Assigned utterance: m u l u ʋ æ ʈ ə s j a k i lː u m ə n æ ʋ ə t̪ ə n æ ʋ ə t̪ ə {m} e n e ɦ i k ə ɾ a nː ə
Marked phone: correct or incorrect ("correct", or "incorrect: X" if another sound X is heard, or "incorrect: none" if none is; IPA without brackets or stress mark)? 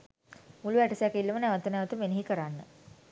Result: correct